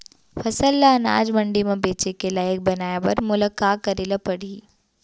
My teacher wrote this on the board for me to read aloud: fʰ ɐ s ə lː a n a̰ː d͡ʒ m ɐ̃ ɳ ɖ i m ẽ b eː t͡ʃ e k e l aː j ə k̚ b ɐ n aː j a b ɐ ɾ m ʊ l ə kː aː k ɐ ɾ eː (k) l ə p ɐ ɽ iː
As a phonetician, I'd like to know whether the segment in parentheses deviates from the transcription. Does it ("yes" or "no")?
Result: yes